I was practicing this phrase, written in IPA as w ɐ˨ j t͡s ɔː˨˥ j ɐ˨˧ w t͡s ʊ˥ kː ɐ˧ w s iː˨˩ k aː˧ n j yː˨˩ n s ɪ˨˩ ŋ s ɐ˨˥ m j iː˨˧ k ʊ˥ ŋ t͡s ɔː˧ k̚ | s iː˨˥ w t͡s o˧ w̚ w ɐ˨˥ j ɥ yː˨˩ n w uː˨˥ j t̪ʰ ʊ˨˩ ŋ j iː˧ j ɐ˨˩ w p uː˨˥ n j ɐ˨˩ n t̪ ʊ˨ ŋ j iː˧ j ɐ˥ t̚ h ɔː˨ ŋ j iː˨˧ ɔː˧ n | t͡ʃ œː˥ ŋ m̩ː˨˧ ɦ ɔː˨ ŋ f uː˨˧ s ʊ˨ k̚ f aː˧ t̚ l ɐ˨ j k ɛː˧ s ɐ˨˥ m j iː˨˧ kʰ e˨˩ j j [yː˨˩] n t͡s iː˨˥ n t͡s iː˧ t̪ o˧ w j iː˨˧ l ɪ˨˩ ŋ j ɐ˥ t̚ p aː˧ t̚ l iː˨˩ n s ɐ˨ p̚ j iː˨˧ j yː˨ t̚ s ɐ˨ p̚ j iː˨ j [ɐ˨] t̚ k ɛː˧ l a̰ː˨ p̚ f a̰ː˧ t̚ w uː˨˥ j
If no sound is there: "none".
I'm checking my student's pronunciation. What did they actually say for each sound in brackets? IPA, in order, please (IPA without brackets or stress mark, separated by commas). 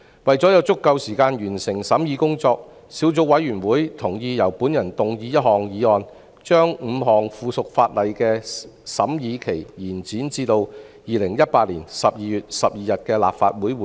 iː˨˩, ɐ˨